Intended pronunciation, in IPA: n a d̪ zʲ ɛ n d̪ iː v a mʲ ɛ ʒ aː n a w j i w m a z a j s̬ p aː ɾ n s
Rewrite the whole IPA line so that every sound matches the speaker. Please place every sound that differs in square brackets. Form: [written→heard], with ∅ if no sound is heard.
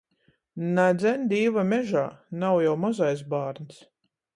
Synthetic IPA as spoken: n a d̪ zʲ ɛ n d̪ iː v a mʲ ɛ ʒ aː n a w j [i→a] w m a z a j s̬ [p→b] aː ɾ n s